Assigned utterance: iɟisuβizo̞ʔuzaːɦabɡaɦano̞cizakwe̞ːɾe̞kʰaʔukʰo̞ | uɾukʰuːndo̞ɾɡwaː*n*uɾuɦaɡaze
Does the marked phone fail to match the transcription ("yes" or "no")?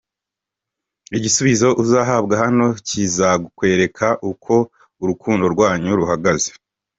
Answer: yes